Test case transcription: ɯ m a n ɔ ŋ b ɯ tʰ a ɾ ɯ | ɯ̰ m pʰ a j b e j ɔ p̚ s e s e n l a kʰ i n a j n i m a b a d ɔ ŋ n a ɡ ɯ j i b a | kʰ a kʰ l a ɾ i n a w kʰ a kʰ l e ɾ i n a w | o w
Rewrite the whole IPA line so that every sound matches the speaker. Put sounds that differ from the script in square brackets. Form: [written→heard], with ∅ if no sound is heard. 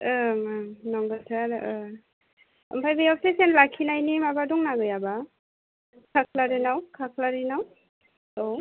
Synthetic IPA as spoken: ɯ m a n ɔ ŋ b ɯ tʰ a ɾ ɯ | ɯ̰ m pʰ a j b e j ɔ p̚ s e s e n l a kʰ i n a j n i m a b a d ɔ ŋ n a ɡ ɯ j [i→a] b a | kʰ a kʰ l a ɾ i n a w kʰ a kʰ l [e→a] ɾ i n a w | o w

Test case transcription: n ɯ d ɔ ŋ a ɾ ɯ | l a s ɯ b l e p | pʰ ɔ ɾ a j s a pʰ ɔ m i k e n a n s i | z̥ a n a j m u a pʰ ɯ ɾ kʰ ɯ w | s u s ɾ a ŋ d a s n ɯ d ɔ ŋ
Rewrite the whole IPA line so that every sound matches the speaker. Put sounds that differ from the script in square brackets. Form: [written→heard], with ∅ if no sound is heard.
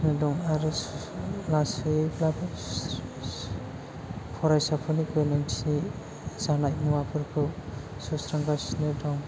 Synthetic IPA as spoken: n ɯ d ɔ ŋ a ɾ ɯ | l a s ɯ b l [e→a] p | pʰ ɔ ɾ a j s a pʰ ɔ [m→n] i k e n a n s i | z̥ a n a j m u a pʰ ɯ ɾ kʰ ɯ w | s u s ɾ a ŋ [d→ɡ] a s n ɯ d ɔ ŋ

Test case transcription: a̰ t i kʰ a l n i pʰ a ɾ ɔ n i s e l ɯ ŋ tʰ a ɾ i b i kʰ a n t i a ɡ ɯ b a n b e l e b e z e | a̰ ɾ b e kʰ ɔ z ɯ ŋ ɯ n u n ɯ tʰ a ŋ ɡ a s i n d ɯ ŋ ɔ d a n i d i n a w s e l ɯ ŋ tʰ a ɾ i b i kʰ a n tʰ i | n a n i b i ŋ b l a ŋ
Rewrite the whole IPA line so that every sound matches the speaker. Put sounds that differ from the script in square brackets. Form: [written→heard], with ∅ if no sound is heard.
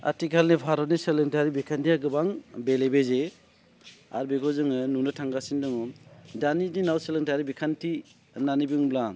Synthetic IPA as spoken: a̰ t i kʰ a l n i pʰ a ɾ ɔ n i s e l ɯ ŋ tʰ a ɾ i b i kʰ a n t i a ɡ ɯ b a [n→ŋ] b e l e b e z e | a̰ ɾ b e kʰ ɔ z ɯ ŋ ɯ n u n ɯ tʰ a ŋ ɡ a s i n d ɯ ŋ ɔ d a n i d i n a w s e l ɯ ŋ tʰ a ɾ i b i kʰ a n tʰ i | n a n i b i ŋ b l a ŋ

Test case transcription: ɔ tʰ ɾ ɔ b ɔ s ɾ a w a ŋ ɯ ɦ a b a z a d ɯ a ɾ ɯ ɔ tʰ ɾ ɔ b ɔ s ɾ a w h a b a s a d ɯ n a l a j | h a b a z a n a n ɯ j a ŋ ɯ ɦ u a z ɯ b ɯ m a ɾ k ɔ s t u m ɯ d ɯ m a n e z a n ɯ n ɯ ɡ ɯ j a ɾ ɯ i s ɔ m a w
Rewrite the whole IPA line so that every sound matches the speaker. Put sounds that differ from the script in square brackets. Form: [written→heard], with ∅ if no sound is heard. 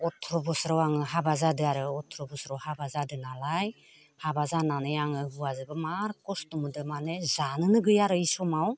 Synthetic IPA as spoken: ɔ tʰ ɾ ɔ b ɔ s ɾ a w a ŋ ɯ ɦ a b a z a d ɯ a ɾ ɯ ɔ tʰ ɾ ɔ b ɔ s ɾ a w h a b a [s→z] a d ɯ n a l a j | h a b a z a n a n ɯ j a ŋ ɯ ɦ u a z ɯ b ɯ m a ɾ k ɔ s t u m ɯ d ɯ m a n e z a n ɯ n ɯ ɡ ɯ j a ɾ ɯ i s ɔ m a w

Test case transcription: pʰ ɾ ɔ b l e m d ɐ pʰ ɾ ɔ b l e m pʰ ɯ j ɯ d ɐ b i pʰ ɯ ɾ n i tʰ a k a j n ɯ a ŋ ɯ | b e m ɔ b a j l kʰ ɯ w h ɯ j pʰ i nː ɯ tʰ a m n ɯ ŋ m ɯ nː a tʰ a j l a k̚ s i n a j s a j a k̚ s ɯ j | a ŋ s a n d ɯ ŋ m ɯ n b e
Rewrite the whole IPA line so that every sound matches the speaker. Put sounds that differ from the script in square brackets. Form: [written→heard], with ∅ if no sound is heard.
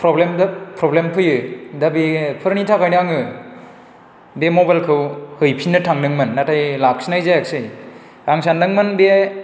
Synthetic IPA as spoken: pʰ ɾ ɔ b l e m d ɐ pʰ ɾ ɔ b l e m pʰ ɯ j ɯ d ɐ b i pʰ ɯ ɾ n i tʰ a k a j n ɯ a ŋ ɯ | b e m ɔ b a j l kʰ ɯ w h ɯ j pʰ i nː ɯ tʰ a [m→ŋ] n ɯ ŋ m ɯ nː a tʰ a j l a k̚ s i n a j [s→z] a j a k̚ s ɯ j | a ŋ s a n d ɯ ŋ m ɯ n b e

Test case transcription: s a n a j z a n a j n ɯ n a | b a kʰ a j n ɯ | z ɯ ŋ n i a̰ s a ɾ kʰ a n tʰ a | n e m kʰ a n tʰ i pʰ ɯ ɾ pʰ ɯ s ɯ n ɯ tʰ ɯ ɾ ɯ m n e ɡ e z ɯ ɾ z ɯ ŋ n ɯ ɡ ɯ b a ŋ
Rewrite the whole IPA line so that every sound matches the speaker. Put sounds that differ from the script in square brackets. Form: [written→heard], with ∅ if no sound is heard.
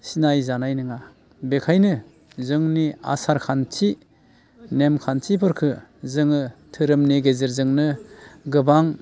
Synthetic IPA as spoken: s [a→i] n a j z a n a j n ɯ [n→ŋ] a | b [a→e] kʰ a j n ɯ | z ɯ ŋ n i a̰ s a ɾ kʰ a n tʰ [a→i] | n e m kʰ a n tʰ i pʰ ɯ ɾ [pʰ→kʰ] ɯ [s→z] ɯ [n→ŋ] ɯ tʰ ɯ ɾ ɯ m n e ɡ e z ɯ ɾ z ɯ ŋ n ɯ ɡ ɯ b a ŋ

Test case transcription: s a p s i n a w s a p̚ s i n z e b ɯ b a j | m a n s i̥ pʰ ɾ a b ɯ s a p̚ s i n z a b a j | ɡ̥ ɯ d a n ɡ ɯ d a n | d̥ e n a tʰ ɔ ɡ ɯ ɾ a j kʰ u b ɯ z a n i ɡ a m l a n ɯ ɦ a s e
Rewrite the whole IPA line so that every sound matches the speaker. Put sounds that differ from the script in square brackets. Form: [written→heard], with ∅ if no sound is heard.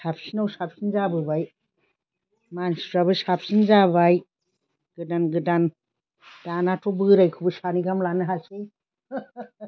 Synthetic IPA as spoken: s a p s i n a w s a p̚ s i n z [e→a] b ɯ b a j | m a n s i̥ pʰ ɾ a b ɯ s a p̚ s i n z a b a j | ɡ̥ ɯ d a n ɡ ɯ d a n | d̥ [e→a] n a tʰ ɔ [ɡ→b] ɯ ɾ a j kʰ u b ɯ [z→s] a n i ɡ a m l a n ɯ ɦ a s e

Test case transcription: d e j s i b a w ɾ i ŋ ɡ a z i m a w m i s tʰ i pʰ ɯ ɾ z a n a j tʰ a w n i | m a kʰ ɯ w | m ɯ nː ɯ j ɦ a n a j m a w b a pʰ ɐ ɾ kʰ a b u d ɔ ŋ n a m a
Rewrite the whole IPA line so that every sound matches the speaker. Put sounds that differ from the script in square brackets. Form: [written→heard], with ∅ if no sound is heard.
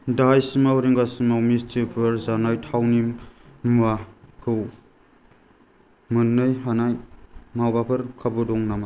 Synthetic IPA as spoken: d [e→a] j s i [b→m] a w ɾ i ŋ ɡ a [z→s] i m a w m i s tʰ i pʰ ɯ ɾ z a n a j tʰ a w n i | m a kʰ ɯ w | m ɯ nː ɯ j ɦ a n a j m a w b a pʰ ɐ ɾ kʰ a b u d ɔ ŋ n a m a

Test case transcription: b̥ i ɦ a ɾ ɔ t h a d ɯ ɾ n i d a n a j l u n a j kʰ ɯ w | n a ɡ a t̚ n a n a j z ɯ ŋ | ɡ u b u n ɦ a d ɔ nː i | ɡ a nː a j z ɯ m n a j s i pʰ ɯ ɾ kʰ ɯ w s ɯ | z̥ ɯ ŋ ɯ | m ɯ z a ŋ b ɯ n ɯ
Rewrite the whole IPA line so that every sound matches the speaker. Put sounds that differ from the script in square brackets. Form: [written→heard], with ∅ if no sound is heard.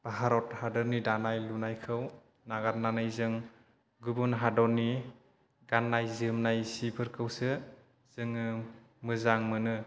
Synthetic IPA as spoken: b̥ [i→a] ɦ a ɾ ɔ t h a d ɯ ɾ n i d a n a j l u n a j kʰ ɯ w | n a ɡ a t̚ n a n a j z ɯ ŋ | ɡ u b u n ɦ a d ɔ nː i | ɡ a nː a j z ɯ m n a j s i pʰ ɯ ɾ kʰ ɯ w s ɯ | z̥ ɯ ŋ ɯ | m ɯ z a ŋ [b→m] ɯ n ɯ

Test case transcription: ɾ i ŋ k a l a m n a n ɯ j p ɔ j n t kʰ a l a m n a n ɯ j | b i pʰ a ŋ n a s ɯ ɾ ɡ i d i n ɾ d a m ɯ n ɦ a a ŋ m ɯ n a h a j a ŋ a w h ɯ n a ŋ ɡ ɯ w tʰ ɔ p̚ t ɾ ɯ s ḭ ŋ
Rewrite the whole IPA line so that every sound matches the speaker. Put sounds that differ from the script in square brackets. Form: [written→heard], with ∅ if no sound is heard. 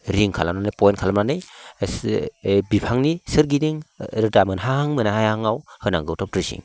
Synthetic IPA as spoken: ɾ i ŋ [k→kʰ] a l a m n a n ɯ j p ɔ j n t kʰ a l a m n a n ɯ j | b i pʰ a ŋ n [a→i] s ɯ ɾ ɡ i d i [n→ŋ] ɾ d a m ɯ n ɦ a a ŋ m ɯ n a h a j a ŋ a w h ɯ n a ŋ ɡ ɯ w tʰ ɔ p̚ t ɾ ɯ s ḭ ŋ

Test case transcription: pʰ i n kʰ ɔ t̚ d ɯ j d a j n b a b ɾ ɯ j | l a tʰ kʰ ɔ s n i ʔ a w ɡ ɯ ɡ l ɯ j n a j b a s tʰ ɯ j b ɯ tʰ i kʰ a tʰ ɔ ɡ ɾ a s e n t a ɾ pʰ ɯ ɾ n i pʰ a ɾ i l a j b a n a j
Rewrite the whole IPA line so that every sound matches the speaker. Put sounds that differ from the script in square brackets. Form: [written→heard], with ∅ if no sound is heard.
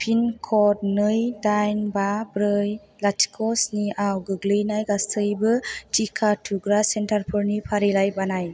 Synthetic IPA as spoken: pʰ i n kʰ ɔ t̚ [d→n] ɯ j d a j n b a b ɾ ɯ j | l a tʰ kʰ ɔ s n i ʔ a w ɡ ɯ ɡ l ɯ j n a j [b→ɡ] a s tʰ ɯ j b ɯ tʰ i kʰ a tʰ [ɔ→u] ɡ ɾ a s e n t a ɾ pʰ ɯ ɾ n i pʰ a ɾ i l a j b a n a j

